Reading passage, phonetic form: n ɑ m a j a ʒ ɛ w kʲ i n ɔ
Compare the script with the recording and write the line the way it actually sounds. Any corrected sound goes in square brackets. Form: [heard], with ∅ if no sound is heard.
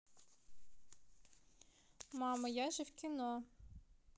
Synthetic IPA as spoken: [m] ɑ m [ɐ] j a ʒ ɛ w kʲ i n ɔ